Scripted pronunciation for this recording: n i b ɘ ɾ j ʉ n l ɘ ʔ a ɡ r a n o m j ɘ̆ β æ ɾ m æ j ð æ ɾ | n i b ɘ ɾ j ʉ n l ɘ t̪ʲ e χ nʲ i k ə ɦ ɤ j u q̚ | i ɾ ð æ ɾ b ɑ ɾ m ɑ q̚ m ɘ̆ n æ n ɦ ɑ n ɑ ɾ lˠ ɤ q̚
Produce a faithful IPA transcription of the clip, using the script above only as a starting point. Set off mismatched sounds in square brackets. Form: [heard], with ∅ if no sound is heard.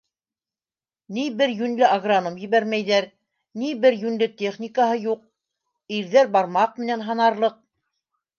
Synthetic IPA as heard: n i b ɘ ɾ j ʉ n l ɘ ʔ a ɡ r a n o m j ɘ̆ β æ ɾ m æ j ð æ ɾ | n i b ɘ ɾ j ʉ n l ɘ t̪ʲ e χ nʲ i k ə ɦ ɤ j u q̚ | i ɾ ð æ ɾ b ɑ ɾ m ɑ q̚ m ɘ̆ n æ n ɦ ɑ n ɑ ɾ lˠ ɤ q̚